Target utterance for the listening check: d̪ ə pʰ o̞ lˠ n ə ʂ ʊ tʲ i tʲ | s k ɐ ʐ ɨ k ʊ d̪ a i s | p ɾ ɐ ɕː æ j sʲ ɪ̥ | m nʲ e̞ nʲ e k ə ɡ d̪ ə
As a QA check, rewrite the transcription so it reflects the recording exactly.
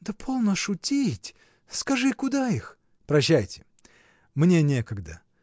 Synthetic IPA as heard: d̪ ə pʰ o̞ lˠ n ə ʂ ʊ tʲ i tʲ | s k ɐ ʐ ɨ k ʊ d̪ a i x | p ɾ ɐ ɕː æ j tʲ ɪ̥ | m nʲ e̞ nʲ e k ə ɡ d̪ ə